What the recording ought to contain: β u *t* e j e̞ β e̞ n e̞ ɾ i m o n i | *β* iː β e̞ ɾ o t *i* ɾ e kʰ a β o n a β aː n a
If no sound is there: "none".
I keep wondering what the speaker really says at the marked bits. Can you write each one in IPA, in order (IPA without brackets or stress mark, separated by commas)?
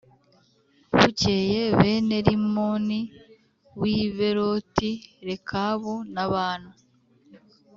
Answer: c, w, i